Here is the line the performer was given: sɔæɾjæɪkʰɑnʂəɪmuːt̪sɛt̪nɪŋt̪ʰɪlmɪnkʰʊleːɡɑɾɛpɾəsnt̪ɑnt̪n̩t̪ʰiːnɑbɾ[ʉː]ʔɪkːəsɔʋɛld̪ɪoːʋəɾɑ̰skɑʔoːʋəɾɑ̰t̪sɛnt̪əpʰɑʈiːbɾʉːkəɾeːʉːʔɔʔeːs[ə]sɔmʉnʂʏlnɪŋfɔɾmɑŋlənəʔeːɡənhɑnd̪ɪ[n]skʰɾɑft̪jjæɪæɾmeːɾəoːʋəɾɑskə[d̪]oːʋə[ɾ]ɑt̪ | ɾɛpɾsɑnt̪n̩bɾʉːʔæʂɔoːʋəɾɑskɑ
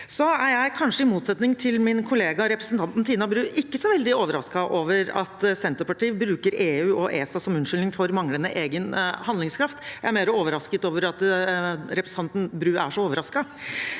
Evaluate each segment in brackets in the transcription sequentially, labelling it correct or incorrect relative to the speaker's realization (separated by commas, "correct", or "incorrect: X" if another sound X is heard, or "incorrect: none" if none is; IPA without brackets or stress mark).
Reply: correct, incorrect: ɑ, incorrect: ŋ, incorrect: t̪, correct